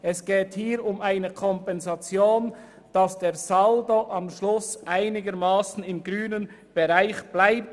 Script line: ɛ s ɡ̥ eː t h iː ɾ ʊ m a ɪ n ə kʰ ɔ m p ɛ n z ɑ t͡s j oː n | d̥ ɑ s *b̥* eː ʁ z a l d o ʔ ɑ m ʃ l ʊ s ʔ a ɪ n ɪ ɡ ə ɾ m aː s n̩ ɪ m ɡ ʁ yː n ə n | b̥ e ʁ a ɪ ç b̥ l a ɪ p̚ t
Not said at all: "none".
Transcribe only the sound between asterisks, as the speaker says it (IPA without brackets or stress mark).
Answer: d̥